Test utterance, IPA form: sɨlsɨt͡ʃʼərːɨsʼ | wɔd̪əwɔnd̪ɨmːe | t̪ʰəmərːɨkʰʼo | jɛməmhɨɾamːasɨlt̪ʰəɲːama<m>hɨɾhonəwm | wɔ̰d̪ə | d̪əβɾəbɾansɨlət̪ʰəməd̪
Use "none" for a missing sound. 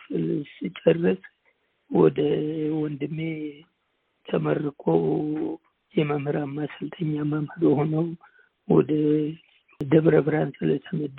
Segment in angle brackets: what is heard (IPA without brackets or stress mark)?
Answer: m